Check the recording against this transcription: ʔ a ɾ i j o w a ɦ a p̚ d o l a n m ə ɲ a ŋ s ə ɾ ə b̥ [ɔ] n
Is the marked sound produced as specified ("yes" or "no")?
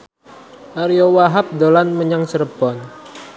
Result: yes